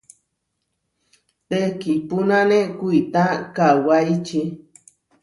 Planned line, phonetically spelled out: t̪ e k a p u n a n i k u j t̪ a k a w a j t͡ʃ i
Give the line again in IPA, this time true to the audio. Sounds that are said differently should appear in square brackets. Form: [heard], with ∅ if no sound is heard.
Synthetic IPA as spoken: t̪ e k [i] p u n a n [e] k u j t̪ a k a w a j t͡ʃ i